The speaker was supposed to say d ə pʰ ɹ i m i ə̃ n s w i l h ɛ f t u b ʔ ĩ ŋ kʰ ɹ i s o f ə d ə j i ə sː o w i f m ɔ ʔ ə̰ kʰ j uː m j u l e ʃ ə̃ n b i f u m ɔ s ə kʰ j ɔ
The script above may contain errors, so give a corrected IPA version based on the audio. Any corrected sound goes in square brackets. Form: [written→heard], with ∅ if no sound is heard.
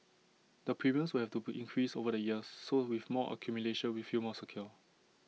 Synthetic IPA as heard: d ə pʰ ɹ i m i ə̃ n s w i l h ɛ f t u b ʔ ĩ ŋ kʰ ɹ i s o [f→v] ə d ə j i ə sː o w i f m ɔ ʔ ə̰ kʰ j [uː→u] m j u l e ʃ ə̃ n [b→w] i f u m ɔ s ə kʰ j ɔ